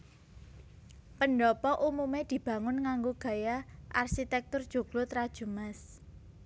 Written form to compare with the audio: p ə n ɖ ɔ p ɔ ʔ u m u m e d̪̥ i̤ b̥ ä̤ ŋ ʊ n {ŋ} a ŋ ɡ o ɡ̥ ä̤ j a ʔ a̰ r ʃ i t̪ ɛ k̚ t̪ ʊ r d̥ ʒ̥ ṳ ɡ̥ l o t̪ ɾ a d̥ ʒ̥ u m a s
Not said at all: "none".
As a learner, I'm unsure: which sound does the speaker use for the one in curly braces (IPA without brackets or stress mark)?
ŋ